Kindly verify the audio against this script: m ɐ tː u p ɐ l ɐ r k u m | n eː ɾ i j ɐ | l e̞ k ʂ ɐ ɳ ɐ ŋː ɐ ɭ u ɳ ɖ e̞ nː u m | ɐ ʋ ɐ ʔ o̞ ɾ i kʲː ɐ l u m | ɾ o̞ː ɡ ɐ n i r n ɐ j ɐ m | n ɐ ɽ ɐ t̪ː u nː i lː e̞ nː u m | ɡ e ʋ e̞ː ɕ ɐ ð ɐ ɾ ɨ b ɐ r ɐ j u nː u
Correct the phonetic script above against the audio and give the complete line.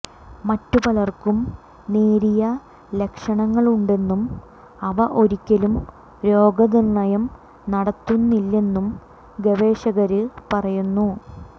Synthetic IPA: m ɐ tː u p ɐ l ɐ r k u m | n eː ɾ i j ɐ | l e̞ k ʂ ɐ ɳ ɐ ŋː ɐ ɭ u ɳ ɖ e̞ nː u m | ɐ ʋ ɐ ʔ o̞ ɾ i kʲː ɐ l u m | ɾ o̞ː ɡ ɐ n i r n ɐ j ɐ m | n ɐ ɽ ɐ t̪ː u nː i lː e̞ nː u m | ɡ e ʋ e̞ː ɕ ɐ ɣ ɐ ɾ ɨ p ɐ r ɐ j u nː u